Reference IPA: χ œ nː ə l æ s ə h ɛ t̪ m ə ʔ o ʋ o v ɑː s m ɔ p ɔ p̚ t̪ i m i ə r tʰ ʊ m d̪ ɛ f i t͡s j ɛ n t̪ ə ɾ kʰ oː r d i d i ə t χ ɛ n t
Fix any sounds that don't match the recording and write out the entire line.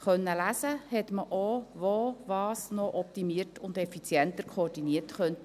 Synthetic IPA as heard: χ œ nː ə l æ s ə h ɛ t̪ m ə ʔ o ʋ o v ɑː s n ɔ ʔ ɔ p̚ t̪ i m i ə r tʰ ʊ n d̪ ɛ f i t͡s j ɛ n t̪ ə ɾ kʰ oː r d i n i ə t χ œ n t